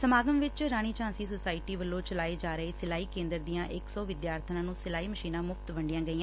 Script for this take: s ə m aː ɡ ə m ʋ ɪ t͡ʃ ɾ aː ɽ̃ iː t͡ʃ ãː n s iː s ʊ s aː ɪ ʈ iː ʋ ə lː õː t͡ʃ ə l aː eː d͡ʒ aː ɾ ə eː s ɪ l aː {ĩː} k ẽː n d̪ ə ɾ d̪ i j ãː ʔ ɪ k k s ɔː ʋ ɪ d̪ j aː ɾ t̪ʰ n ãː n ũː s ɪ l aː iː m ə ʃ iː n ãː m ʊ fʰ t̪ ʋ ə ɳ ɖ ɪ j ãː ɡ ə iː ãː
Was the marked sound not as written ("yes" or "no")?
yes